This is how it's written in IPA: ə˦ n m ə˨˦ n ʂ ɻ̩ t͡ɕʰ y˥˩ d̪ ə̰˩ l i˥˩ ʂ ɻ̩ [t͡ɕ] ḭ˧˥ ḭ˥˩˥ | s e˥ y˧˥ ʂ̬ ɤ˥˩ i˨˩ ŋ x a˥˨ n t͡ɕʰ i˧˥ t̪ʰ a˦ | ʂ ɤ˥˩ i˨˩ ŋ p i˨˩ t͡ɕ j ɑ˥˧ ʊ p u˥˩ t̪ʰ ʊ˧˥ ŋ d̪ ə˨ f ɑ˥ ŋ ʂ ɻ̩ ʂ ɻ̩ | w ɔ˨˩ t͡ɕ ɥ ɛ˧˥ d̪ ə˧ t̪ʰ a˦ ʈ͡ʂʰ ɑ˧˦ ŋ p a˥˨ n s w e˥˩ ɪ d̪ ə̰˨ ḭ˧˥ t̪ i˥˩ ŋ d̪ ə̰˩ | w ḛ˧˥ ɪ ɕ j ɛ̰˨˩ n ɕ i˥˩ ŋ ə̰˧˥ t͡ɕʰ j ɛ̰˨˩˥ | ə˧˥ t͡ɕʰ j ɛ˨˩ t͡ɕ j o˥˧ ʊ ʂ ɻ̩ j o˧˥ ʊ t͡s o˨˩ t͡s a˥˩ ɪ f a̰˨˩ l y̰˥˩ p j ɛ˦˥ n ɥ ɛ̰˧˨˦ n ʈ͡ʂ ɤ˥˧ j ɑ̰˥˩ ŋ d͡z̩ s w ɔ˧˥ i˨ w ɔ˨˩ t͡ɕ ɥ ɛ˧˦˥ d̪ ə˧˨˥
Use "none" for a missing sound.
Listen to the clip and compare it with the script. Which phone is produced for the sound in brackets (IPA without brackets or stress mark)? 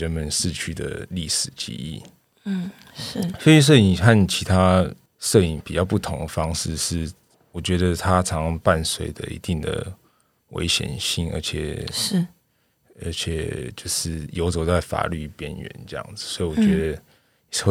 t͡ɕ